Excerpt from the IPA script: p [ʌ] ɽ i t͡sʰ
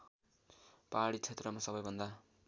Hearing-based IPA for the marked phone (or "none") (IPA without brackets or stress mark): a